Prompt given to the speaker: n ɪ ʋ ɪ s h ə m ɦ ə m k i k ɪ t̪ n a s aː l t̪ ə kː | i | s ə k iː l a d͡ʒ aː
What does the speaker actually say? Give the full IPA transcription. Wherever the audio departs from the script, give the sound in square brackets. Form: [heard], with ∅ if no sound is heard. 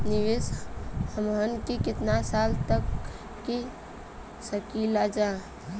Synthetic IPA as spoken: n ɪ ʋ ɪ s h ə m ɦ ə [n] k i k ɪ t̪ n a s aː l t̪ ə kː | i | s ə k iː l a d͡ʒ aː